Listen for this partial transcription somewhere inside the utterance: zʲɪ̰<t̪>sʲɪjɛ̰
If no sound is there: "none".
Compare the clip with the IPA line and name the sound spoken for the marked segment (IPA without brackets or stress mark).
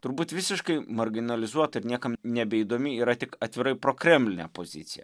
t̪